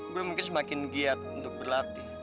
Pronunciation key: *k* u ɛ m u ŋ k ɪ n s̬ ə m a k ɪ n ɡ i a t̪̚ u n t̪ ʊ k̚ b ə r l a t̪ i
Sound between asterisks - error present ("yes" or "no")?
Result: yes